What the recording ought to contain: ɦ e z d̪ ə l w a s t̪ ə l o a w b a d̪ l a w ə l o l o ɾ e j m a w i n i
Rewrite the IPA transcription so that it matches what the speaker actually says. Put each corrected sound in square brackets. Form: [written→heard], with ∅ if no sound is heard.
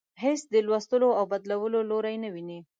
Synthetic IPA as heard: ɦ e [z→s] d̪ ə l w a s t̪ ə l o a w b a d̪ l a w ə l o l o ɾ [e→a] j [m→n] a w i n i